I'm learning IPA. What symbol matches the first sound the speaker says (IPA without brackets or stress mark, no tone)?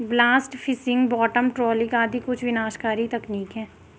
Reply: b